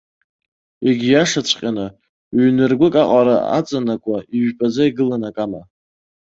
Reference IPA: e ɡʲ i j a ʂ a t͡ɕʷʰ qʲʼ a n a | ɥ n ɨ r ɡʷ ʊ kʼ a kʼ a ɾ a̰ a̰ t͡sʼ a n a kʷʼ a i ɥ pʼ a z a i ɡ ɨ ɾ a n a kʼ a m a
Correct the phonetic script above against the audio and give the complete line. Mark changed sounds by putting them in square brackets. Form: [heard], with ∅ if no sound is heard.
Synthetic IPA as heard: e ɡʲ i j a ʂ a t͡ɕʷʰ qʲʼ a n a | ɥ n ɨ r ɡʷ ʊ kʼ a [qʼ] a ɾ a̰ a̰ t͡sʼ a n a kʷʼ a i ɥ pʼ a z a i ɡ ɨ [l] a n a kʼ a m a